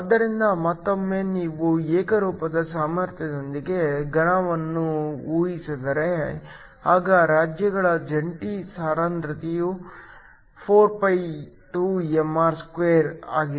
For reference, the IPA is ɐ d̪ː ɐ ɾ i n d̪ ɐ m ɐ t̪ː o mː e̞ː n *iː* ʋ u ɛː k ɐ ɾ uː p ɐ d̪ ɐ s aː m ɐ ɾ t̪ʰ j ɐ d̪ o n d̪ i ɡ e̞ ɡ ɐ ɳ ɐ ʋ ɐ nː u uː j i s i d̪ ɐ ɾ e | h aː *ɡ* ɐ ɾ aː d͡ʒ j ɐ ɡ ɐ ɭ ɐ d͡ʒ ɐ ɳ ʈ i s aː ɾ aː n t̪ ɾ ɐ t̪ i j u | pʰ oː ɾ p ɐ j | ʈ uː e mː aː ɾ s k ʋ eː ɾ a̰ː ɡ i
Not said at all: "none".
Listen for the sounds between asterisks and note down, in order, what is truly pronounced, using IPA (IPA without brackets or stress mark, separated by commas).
iː, ɡ